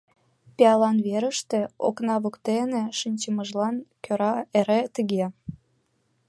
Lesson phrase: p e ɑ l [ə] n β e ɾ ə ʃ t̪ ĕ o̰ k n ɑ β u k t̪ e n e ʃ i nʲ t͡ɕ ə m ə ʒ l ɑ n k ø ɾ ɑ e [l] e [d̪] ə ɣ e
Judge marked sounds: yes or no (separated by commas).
no, no, no